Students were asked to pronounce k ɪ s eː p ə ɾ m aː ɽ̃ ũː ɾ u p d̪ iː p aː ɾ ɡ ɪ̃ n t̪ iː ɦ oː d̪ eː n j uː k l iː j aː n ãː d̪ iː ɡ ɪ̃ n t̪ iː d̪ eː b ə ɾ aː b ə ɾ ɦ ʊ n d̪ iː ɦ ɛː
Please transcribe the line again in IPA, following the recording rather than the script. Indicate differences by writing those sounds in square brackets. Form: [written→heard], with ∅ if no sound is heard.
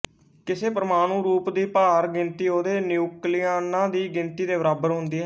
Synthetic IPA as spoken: k ɪ s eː p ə ɾ m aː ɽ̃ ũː ɾ [u→uː] p d̪ iː p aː ɾ ɡ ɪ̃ n t̪ iː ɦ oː d̪ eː n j uː k l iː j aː n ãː d̪ iː ɡ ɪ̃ n t̪ iː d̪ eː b ə ɾ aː b ə ɾ ɦ ʊ n d̪ iː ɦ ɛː